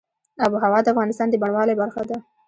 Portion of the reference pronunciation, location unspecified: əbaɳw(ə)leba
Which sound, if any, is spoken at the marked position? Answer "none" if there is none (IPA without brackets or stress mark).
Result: ɑ